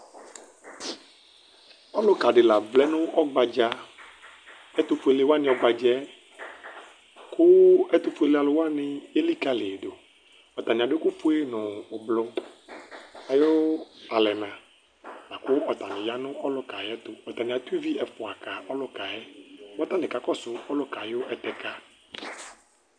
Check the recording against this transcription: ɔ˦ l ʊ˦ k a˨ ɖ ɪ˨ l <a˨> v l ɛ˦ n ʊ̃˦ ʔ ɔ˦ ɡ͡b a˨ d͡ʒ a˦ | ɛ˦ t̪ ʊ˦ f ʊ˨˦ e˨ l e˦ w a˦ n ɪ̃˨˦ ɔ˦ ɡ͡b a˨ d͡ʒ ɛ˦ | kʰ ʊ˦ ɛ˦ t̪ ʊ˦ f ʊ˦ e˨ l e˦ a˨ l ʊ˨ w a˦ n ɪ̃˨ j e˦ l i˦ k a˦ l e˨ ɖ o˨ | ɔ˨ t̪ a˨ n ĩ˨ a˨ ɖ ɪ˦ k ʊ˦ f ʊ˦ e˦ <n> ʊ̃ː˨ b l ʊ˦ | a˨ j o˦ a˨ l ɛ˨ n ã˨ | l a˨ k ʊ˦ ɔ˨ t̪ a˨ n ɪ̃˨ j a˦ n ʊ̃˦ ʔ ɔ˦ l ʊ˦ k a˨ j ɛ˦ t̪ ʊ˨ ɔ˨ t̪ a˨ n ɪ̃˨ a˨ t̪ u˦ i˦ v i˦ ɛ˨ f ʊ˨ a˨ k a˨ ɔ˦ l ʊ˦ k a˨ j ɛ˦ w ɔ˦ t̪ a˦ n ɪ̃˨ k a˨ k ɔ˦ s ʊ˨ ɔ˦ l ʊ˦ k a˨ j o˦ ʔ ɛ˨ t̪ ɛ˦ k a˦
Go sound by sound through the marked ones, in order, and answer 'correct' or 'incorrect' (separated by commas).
correct, correct